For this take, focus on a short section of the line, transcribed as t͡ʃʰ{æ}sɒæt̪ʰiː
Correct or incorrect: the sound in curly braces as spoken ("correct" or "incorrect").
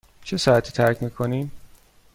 incorrect